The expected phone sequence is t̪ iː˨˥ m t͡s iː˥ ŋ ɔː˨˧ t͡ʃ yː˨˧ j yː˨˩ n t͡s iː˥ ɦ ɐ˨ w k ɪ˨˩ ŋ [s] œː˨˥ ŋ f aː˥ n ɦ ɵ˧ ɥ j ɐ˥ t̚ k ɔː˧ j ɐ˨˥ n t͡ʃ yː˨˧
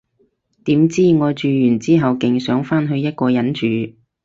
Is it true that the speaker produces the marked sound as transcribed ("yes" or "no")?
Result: yes